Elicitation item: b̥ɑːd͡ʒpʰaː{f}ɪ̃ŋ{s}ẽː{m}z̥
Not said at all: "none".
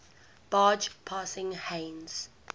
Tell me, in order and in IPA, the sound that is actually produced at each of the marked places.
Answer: s, h, n

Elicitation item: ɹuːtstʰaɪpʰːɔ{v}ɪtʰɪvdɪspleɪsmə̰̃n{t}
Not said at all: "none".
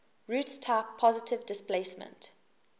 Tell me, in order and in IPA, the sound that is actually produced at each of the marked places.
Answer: z, t

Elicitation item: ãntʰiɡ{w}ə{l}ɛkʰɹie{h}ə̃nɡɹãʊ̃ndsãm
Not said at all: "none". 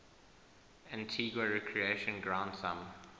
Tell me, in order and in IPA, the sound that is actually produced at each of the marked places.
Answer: w, ɹ, ʃ

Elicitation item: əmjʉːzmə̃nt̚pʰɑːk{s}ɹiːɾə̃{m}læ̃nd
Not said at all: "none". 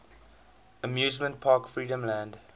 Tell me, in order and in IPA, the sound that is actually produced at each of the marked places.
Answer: f, m

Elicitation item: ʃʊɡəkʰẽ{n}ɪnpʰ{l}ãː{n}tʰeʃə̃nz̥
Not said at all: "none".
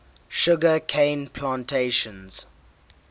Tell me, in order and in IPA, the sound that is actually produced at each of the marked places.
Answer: none, l, n

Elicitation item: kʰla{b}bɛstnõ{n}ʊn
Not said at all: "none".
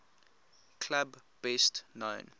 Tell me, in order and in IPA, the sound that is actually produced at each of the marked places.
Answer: b, none

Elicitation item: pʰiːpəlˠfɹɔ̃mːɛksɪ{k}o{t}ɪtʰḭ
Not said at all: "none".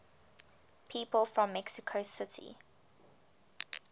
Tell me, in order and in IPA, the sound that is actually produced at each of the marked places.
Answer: kʰ, s

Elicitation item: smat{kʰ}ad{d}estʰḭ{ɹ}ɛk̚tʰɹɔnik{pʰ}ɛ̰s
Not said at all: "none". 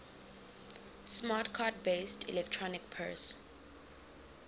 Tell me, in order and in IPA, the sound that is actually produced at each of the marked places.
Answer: kʰ, b, l, pʰ

